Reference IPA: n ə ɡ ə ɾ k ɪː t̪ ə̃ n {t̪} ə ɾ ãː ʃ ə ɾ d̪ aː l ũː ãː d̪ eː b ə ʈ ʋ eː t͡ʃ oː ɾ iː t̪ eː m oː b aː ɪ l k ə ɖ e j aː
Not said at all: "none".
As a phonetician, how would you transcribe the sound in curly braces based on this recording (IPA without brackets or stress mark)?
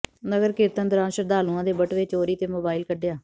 d̪